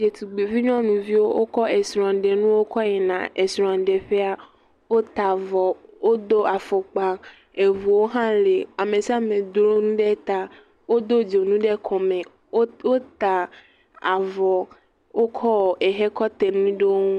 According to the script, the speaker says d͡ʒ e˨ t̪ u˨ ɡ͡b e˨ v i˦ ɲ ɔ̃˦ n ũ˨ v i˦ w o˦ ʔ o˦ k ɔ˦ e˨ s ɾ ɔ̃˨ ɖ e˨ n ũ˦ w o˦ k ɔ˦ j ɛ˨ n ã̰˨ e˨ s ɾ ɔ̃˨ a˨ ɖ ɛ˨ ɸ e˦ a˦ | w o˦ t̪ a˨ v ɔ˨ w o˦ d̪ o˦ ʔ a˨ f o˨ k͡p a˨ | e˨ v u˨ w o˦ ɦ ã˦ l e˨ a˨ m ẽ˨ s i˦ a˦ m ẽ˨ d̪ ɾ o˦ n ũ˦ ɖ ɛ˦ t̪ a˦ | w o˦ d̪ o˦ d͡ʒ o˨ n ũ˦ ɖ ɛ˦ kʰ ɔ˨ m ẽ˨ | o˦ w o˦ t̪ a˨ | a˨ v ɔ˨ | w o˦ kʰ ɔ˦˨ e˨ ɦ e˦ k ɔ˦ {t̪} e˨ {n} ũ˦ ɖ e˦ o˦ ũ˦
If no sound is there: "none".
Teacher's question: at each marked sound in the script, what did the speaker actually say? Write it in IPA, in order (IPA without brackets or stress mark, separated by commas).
t̪, n